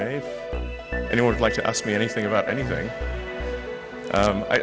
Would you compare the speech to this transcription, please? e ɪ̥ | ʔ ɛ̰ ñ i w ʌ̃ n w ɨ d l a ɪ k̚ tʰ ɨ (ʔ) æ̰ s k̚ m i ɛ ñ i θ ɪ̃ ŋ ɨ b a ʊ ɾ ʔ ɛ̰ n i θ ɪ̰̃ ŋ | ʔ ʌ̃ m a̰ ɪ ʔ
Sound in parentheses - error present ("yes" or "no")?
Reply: no